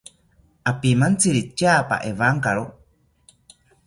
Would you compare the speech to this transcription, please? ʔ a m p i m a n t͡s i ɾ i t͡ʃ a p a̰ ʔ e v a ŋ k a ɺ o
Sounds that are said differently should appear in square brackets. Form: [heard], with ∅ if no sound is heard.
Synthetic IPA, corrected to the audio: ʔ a [∅] p i m a n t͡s i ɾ i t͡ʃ a p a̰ ʔ e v a ŋ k a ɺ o